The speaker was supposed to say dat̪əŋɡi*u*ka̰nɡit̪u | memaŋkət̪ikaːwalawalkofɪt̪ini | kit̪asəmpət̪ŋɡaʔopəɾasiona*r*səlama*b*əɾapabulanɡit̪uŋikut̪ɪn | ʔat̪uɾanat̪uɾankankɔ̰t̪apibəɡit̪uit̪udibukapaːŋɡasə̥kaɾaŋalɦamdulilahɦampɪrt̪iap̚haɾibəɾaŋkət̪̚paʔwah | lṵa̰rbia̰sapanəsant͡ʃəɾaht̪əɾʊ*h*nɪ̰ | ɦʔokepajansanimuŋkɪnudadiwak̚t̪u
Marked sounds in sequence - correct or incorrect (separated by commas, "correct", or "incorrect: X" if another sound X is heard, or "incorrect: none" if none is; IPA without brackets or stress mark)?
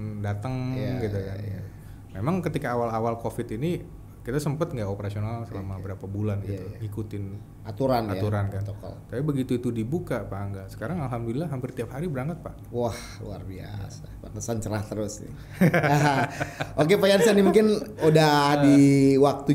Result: correct, incorrect: l, correct, incorrect: s